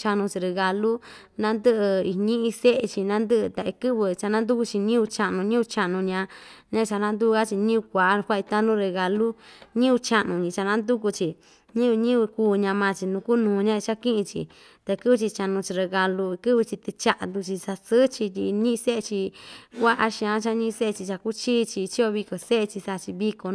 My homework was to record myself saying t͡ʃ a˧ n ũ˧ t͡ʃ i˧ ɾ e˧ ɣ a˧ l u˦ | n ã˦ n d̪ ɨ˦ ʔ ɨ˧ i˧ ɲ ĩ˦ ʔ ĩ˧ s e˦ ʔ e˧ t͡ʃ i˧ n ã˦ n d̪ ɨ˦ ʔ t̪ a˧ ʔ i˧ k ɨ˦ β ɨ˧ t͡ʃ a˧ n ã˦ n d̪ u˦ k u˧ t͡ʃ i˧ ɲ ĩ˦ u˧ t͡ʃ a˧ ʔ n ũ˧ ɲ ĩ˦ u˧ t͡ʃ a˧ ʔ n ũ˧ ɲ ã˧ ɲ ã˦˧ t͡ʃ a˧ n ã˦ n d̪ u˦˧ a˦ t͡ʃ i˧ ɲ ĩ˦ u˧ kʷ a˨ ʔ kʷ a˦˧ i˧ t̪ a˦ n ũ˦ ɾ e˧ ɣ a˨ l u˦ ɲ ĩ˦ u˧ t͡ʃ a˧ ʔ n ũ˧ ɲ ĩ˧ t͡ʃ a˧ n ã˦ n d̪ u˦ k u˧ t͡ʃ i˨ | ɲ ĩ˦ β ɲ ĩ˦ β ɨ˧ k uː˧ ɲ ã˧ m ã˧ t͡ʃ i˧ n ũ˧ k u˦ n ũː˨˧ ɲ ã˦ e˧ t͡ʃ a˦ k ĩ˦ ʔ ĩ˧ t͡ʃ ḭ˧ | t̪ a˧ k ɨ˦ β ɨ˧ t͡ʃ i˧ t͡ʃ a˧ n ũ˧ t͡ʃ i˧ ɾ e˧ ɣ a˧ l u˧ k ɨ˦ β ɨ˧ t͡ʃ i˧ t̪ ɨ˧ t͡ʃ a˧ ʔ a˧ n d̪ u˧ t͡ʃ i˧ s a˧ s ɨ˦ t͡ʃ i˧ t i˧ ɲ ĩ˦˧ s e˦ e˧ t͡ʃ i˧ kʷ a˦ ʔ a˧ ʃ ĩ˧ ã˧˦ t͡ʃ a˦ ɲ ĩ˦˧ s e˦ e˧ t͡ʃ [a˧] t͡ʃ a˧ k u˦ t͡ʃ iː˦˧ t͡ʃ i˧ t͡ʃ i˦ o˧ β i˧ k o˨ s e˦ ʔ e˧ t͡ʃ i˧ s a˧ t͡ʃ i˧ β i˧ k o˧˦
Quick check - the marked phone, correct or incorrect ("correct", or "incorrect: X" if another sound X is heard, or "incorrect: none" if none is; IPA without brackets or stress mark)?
incorrect: i˧